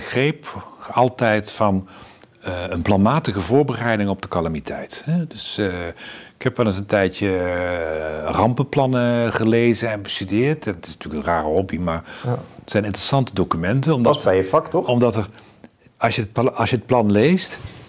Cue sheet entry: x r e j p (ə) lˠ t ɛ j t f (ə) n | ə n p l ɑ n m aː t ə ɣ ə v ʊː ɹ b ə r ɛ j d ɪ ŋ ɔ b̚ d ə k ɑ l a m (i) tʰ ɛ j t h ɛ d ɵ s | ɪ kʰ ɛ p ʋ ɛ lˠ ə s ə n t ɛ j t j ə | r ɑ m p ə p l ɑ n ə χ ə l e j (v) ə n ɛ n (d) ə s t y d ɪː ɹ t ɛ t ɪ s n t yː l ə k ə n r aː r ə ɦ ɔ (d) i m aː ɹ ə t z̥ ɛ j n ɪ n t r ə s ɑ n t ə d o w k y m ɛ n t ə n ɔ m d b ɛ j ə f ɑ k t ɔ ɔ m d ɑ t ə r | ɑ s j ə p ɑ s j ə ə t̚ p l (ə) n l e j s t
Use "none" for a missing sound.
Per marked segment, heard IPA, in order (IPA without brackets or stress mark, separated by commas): ɑ, ɑ, i, z, b, b, ɑ